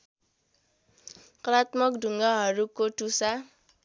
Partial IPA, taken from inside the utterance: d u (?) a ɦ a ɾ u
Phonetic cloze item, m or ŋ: ŋ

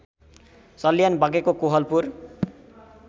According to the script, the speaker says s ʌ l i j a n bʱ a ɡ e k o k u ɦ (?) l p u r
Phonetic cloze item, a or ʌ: ʌ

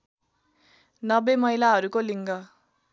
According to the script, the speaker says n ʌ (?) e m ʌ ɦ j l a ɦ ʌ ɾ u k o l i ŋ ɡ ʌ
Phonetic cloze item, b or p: b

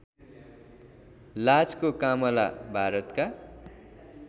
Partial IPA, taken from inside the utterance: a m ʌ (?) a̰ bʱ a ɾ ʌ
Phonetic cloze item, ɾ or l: l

